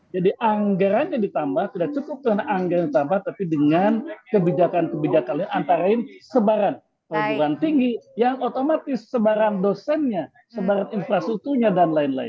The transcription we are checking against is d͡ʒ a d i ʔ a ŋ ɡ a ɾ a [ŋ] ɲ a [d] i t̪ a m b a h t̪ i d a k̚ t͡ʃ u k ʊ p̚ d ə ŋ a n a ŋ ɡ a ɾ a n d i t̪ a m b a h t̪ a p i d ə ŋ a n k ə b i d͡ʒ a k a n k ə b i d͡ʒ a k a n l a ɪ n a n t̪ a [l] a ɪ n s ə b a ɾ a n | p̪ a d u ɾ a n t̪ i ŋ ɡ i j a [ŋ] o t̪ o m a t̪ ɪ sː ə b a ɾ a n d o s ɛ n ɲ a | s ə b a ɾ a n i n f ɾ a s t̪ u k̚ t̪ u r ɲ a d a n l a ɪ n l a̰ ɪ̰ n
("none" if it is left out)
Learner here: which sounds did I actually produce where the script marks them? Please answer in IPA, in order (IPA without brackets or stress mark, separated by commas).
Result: n, d, ɾ, ŋ